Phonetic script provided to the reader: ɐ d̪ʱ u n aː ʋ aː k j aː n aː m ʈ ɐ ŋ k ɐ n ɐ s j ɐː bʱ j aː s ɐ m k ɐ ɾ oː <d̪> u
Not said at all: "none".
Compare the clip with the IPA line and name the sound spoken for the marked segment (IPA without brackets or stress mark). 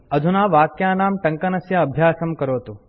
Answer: t̪